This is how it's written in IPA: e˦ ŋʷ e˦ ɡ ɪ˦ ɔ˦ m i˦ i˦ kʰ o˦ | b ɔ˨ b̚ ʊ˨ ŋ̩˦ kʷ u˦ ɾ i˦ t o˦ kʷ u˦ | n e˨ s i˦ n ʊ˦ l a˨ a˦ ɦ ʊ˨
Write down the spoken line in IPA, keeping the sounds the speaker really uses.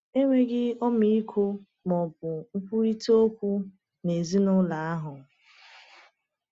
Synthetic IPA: e˦ ŋʷ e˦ ɡ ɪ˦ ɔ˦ m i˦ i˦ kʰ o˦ | m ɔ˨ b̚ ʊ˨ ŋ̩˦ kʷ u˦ ɾ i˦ t o˦ kʷ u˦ | n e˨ z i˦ n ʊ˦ l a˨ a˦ ɦ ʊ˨